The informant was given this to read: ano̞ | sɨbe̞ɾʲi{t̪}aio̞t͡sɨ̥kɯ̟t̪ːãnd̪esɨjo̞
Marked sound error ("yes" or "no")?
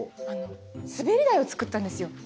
yes